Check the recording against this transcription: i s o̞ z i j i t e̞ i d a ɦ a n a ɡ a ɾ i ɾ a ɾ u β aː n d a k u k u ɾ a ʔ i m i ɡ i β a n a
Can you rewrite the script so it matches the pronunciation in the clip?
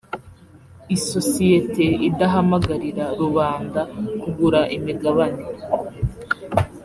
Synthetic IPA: i s o̞ s i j e t e̞ i d a ɦ a m a ɡ a ɾ i ɾ a ɾ u β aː n d a k u ɡ u ɾ a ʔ i m i ɡ a β a n e